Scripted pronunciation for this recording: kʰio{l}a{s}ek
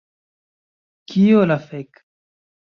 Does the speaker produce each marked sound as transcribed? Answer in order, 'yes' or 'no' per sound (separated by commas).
yes, no